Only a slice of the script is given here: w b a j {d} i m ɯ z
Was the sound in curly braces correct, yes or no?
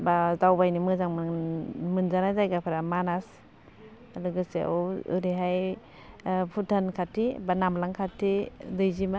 no